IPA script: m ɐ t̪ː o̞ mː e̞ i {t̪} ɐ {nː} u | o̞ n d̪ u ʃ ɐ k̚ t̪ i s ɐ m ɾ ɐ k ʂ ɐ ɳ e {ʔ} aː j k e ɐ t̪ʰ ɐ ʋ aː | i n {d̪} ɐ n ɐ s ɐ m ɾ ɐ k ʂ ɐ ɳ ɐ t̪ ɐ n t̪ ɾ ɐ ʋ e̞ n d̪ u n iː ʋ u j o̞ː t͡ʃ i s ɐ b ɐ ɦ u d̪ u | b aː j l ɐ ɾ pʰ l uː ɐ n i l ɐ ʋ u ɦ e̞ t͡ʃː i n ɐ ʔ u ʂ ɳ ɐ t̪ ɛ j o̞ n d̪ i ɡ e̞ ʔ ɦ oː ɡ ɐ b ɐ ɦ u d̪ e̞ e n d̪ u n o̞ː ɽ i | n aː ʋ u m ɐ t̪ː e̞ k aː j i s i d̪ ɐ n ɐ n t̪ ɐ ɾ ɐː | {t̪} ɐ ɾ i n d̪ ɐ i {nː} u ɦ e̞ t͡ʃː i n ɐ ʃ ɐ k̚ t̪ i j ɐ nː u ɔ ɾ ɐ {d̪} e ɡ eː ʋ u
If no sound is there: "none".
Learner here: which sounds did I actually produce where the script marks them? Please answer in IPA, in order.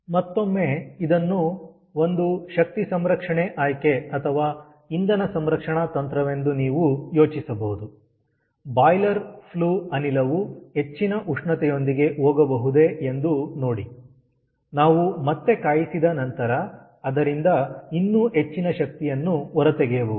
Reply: d̪, nː, ʔ, d̪, d̪, nː, t̪

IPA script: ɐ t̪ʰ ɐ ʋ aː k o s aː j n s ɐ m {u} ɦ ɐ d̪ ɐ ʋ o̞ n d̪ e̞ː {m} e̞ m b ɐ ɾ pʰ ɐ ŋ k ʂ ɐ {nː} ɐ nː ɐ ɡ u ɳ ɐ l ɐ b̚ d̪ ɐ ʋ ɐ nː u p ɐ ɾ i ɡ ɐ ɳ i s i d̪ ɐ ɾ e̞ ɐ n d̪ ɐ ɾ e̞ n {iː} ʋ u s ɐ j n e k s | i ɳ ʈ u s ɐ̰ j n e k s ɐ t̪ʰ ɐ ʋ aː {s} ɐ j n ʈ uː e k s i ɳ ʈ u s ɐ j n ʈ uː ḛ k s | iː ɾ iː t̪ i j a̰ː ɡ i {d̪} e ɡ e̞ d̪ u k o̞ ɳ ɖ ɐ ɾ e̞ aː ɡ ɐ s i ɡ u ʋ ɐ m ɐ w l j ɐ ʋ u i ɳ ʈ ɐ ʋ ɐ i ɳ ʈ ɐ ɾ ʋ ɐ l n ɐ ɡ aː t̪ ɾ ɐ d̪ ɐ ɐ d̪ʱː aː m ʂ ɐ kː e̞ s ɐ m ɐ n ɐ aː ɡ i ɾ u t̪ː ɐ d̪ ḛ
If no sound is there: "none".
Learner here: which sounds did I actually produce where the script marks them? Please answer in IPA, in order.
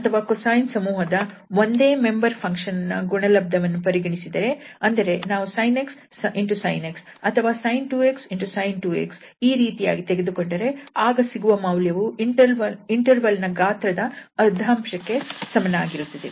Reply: uː, m, n, aː, s, t̪

